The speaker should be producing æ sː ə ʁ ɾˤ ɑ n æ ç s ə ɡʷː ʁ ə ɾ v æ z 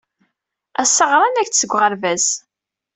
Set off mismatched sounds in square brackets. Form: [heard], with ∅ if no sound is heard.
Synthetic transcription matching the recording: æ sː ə ʁ ɾˤ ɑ n æ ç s ə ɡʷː ʁ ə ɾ v æ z